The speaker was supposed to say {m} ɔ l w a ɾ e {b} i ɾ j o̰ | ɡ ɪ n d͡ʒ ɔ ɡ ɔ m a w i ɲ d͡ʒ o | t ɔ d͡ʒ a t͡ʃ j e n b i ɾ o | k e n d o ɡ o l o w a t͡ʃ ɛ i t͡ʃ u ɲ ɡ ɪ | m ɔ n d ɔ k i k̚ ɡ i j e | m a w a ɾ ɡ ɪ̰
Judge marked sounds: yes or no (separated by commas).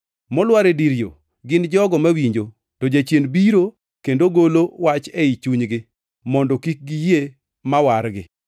yes, no